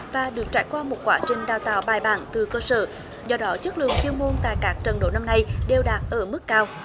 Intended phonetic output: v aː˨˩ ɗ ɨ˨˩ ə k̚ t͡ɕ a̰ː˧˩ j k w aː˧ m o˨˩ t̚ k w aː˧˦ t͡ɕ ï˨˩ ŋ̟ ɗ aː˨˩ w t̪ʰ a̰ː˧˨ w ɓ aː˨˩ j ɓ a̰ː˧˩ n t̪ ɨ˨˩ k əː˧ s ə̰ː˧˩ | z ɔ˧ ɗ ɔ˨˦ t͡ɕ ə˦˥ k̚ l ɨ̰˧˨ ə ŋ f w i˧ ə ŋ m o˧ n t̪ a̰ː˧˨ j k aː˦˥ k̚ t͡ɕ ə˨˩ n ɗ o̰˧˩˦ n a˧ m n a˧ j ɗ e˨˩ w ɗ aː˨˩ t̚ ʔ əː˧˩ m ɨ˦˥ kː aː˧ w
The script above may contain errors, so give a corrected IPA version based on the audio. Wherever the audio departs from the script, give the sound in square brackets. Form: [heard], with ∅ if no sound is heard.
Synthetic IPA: v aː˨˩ ɗ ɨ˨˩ ə k̚ t͡ɕ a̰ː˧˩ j k w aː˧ m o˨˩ t̚ k w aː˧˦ t͡ɕ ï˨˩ ŋ̟ ɗ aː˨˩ w [t̪] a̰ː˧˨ w ɓ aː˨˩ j ɓ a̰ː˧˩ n t̪ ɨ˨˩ k əː˧ s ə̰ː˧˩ | z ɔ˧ ɗ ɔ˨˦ t͡ɕ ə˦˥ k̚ l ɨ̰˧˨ ə ŋ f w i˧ ə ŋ m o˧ n t̪ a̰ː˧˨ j k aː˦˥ k̚ t͡ɕ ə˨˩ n ɗ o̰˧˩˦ n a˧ m n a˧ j ɗ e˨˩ w ɗ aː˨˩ t̚ ʔ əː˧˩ m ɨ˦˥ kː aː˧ w